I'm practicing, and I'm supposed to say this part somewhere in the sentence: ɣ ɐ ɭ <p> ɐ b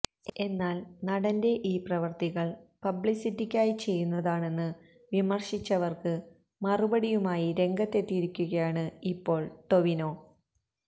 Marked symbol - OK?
yes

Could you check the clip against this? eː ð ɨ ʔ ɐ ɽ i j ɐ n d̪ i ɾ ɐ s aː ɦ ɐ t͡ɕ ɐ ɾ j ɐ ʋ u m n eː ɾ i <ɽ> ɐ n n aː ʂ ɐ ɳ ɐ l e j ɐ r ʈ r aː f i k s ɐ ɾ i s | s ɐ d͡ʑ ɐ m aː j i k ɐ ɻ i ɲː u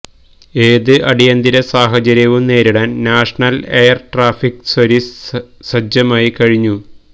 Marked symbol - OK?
yes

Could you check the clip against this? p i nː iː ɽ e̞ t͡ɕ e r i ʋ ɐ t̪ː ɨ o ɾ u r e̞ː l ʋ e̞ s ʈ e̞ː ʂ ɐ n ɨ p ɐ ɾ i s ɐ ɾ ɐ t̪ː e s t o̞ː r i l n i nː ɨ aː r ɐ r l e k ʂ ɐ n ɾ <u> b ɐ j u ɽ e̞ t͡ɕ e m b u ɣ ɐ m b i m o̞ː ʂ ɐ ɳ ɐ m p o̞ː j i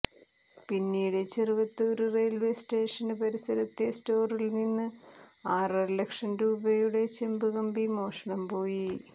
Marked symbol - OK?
no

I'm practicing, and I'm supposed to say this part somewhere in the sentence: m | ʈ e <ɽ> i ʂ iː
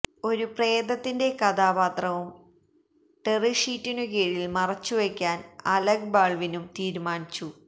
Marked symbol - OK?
no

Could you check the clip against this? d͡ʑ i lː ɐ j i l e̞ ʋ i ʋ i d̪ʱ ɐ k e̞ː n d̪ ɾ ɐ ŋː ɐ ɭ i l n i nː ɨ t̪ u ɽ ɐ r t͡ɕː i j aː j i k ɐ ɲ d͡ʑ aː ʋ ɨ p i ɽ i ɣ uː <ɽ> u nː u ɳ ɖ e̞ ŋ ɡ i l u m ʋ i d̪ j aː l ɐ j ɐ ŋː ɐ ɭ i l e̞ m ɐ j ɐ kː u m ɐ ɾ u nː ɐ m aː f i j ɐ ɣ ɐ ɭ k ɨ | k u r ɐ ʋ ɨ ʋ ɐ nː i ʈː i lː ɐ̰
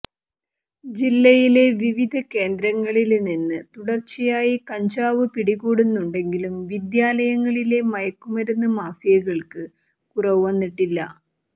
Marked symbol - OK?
yes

